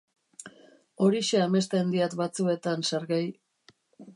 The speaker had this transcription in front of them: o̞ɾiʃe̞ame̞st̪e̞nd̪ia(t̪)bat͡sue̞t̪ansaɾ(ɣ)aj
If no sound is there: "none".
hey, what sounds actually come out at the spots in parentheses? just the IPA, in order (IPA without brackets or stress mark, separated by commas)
t̪, ɣ